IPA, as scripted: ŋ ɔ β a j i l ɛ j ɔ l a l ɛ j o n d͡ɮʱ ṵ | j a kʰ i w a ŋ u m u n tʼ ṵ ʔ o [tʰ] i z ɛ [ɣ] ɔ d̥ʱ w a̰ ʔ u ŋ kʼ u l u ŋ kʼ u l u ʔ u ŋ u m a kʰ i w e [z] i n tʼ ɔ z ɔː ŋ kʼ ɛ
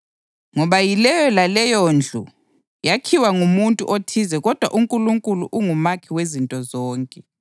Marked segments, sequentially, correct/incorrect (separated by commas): correct, correct, correct